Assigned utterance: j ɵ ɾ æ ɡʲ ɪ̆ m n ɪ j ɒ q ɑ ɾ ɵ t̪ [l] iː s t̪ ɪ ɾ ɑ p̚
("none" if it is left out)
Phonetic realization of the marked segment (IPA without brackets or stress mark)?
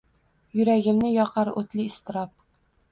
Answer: l